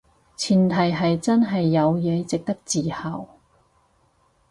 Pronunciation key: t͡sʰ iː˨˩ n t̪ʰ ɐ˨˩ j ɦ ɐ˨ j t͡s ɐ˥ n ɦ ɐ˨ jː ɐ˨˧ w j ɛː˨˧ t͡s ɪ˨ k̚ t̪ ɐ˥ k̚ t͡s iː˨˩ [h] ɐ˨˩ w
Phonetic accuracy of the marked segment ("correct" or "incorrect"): correct